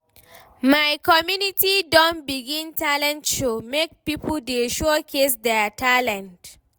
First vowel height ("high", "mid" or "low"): low